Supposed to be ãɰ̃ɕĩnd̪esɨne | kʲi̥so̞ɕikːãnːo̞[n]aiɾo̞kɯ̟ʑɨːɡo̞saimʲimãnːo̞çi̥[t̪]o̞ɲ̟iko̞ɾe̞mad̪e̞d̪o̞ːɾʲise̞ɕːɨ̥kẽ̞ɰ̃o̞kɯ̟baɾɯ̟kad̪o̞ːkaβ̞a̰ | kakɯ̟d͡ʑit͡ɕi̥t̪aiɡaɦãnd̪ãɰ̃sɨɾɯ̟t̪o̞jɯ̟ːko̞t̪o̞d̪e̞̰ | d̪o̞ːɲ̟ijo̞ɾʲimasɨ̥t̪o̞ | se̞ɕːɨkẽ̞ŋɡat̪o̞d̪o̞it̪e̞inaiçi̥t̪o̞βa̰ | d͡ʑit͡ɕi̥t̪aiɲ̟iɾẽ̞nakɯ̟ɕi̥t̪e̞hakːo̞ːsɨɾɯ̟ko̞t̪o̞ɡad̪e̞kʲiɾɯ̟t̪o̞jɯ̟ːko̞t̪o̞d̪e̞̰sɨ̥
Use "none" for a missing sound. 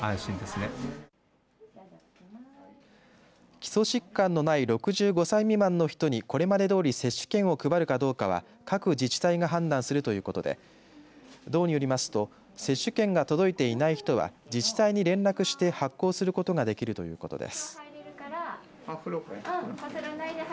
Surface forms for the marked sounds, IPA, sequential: n, t̪

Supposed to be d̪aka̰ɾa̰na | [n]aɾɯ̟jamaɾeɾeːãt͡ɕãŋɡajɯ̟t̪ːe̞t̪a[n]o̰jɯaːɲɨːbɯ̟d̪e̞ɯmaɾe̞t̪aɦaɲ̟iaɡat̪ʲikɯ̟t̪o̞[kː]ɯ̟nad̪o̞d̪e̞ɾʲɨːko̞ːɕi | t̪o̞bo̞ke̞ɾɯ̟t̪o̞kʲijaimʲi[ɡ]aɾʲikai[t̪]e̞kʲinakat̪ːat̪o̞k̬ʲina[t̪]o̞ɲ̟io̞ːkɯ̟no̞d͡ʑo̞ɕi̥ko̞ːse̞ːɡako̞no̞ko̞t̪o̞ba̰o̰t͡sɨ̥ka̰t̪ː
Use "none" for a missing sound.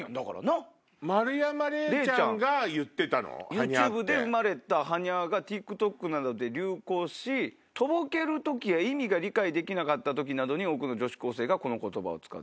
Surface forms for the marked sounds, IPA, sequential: m, n, kː, ɡ, d̪, d̪

